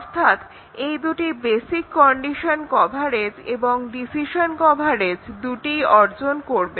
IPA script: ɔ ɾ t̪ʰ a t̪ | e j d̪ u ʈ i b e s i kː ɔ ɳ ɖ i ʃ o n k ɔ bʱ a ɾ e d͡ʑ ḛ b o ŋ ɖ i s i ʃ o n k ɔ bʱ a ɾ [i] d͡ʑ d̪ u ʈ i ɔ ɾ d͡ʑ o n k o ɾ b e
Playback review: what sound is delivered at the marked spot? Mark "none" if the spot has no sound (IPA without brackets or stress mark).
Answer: e